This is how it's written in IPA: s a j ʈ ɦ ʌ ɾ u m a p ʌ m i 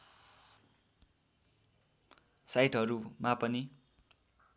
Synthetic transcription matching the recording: s a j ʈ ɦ ʌ ɾ u m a p ʌ n i